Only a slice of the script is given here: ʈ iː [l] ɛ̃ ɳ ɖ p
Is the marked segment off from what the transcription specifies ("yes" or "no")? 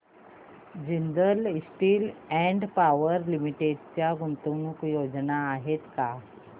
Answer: no